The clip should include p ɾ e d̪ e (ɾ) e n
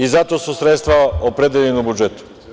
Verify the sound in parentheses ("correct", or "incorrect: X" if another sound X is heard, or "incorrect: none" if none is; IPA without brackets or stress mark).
incorrect: ʎ